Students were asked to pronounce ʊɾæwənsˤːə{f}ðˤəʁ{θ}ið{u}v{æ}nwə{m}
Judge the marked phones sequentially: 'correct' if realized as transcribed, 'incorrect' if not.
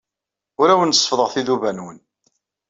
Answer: correct, correct, correct, correct, incorrect

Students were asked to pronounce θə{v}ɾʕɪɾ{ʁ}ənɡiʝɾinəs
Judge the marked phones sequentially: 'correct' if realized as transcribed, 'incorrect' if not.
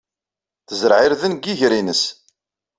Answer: incorrect, incorrect

